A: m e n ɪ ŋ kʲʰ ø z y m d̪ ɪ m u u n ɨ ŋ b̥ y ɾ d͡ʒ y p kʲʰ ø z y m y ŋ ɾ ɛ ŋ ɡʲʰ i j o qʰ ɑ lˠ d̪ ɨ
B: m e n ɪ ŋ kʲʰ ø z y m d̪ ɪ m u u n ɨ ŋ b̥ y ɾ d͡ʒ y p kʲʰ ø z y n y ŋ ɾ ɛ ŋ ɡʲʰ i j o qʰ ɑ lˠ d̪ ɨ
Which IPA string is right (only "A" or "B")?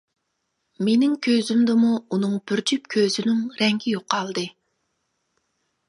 B